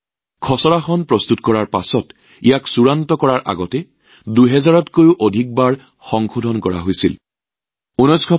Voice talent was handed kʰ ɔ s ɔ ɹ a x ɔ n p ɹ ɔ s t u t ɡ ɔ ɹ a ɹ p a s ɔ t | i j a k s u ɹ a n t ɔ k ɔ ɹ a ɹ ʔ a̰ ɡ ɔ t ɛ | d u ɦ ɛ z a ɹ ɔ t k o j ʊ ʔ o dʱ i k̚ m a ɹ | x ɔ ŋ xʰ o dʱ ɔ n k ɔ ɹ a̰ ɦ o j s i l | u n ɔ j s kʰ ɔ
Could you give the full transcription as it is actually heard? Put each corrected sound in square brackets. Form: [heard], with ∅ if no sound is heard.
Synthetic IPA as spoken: kʰ ɔ s ɔ ɹ a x ɔ n p ɹ ɔ s t u t [k] ɔ ɹ a ɹ p a s ɔ t | i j a k s u ɹ a n t ɔ k ɔ ɹ a ɹ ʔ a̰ ɡ ɔ t ɛ | d u ɦ ɛ z a ɹ ɔ t k o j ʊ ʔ o dʱ i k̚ [b] a ɹ | x ɔ ŋ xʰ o dʱ ɔ n k ɔ ɹ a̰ ɦ o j s i l | u n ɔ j s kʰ ɔ